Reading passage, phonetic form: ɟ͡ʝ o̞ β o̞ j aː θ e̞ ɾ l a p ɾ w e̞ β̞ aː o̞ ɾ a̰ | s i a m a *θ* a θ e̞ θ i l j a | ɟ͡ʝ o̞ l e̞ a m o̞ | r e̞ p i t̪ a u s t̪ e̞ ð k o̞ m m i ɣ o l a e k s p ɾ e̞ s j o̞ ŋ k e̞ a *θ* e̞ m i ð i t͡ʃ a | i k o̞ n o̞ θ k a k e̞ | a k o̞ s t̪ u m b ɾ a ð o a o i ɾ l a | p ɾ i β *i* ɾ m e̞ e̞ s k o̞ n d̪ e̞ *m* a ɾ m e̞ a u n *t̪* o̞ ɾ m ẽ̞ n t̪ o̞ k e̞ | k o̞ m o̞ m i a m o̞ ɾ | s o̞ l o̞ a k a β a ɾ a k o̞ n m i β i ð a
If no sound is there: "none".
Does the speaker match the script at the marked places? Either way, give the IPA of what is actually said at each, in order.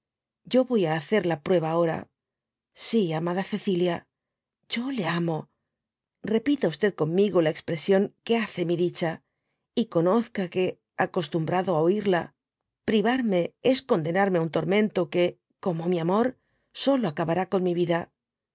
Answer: ð, θ, a, n, t̪

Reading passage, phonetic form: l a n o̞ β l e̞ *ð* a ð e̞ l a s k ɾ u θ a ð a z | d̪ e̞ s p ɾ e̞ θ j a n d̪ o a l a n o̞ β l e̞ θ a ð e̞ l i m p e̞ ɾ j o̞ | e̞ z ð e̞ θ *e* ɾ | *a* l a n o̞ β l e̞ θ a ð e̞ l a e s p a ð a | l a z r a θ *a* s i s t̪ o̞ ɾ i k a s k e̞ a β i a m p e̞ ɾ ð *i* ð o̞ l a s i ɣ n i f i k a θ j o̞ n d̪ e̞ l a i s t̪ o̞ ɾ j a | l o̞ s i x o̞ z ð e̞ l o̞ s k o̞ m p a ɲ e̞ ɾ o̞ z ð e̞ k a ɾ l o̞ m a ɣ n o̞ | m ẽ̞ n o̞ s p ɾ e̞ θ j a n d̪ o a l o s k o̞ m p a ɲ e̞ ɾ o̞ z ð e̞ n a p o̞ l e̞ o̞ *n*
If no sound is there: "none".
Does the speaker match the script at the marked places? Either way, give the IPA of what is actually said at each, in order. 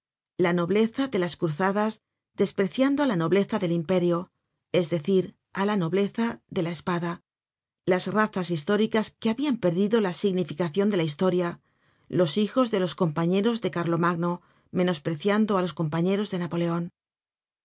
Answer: θ, i, a, a, i, n

